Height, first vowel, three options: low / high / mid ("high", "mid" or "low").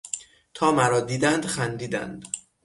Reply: low